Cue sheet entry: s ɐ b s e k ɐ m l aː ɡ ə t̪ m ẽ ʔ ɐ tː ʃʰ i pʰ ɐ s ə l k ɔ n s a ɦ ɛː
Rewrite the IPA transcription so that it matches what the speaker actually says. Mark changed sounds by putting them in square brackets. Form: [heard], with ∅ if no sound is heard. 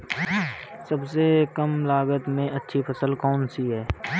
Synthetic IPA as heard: s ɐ b s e k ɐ m l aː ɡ ə t̪ m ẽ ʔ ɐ tː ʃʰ i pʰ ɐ s ə l k [ɔː] n s [i] ɦ ɛː